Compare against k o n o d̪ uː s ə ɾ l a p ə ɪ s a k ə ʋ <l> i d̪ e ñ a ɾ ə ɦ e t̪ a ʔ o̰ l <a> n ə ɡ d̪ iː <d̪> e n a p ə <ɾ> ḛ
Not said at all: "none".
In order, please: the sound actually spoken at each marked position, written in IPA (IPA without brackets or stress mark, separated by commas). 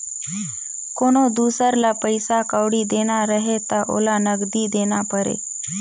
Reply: ɽ, a, d̪, ɾ